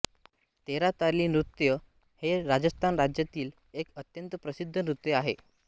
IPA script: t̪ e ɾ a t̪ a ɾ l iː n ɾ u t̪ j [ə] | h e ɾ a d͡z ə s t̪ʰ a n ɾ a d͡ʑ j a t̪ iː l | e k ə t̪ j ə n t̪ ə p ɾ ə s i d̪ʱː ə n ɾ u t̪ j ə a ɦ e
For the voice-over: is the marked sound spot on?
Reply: yes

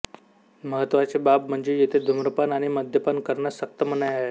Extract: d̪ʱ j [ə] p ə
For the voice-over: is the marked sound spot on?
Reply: yes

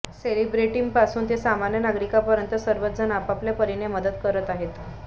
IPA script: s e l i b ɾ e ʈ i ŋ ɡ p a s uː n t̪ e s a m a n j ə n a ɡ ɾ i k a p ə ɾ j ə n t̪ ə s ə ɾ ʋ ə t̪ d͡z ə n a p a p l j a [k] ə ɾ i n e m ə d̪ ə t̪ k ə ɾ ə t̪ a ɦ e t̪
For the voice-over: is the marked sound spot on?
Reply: no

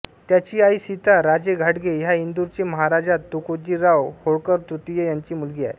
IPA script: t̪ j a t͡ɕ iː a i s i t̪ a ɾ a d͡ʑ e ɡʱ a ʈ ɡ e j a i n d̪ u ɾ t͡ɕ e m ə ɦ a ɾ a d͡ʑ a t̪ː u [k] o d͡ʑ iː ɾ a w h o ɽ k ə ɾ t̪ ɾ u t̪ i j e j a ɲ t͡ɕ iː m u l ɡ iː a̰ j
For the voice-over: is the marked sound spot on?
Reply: yes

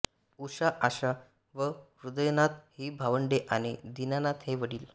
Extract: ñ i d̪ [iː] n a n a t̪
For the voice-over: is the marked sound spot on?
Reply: no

